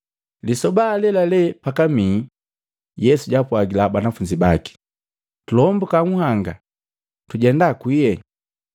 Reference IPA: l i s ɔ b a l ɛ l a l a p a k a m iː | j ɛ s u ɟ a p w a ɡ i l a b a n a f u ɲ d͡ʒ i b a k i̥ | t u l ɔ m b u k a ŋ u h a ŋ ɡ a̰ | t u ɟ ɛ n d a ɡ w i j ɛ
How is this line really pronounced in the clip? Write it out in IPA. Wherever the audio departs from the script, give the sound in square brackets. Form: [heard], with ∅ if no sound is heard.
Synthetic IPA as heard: l i s ɔ b a l ɛ l a l [ɛ] p a k a m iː | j ɛ s u ɟ a p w a ɡ i l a b a n a f u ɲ d͡ʒ i b a k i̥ | t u l ɔ m b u k a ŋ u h a ŋ ɡ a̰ | t u ɟ ɛ n d a [k] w i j ɛ